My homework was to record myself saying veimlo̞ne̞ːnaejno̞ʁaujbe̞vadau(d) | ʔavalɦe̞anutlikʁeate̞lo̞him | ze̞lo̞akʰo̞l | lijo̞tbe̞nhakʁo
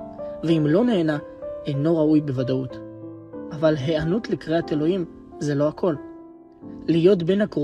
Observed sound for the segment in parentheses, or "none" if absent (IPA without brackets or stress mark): t